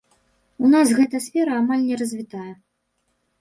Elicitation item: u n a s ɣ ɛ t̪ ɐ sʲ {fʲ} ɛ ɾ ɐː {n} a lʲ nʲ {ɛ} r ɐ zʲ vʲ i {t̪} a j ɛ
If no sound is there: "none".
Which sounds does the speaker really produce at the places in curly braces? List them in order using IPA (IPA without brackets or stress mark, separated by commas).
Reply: fʲ, m, ɛ, t̪